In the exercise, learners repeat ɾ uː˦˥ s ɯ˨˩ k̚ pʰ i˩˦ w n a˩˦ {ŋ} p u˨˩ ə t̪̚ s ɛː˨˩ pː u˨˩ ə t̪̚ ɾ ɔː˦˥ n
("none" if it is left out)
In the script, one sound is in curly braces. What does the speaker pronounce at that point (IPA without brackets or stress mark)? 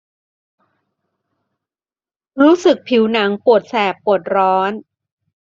ŋ